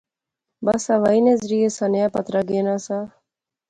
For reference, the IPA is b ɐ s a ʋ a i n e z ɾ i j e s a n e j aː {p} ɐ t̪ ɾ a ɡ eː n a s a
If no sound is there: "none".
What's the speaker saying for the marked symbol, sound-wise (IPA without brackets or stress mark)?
p